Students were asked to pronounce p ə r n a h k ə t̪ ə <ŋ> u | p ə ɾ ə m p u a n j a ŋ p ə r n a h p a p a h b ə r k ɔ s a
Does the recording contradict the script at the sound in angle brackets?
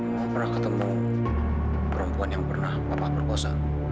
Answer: yes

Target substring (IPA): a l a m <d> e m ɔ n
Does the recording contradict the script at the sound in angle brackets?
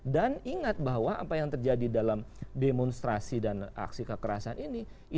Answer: no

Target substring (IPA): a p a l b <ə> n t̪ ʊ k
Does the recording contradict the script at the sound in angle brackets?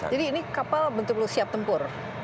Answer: no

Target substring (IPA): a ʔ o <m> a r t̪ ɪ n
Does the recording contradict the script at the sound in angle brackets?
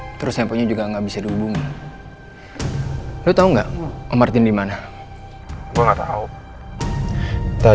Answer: no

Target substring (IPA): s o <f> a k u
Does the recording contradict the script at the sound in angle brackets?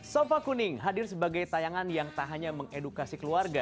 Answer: no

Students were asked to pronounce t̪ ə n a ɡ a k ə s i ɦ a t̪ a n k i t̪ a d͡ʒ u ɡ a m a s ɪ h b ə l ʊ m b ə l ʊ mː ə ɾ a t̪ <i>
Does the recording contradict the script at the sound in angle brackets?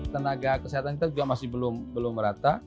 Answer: yes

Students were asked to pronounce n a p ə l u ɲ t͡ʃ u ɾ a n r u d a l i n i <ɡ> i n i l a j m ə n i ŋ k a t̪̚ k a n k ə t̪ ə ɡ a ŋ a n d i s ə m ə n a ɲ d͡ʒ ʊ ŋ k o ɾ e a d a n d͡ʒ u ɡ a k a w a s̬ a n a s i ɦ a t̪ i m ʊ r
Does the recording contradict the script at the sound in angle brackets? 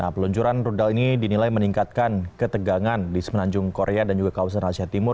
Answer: yes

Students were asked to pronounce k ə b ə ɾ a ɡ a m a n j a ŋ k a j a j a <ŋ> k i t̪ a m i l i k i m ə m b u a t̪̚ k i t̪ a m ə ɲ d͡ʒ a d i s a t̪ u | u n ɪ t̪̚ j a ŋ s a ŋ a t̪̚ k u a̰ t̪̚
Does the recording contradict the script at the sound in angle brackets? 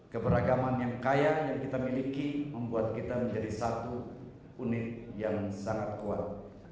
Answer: no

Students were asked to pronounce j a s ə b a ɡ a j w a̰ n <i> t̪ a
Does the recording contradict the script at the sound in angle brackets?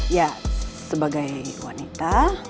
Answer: no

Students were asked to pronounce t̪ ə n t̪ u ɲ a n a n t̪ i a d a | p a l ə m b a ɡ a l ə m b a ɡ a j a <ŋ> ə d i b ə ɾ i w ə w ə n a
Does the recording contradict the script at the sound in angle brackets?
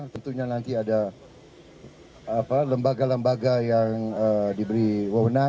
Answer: no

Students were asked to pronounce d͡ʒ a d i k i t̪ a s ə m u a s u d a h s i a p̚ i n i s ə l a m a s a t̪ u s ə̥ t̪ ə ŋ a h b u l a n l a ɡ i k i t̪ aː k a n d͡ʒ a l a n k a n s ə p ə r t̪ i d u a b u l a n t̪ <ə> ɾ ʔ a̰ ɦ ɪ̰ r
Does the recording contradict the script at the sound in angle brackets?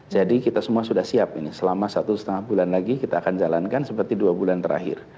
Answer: no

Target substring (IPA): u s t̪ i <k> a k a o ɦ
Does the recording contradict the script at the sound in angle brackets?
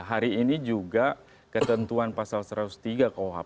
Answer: yes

